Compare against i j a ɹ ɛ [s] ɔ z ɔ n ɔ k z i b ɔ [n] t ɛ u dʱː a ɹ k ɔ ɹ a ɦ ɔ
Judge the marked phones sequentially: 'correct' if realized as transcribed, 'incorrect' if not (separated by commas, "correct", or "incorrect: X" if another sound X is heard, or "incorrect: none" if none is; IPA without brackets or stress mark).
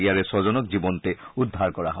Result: correct, correct